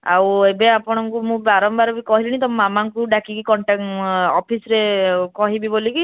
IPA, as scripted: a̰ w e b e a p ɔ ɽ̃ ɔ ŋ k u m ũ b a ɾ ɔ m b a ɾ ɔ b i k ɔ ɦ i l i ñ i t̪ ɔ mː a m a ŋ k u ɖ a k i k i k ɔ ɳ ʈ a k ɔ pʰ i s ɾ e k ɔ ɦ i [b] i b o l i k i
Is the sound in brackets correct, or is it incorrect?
correct